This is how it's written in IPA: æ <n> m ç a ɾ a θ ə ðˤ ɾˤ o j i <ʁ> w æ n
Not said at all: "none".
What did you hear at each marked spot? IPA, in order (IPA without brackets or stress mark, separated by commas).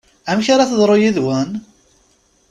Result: none, ð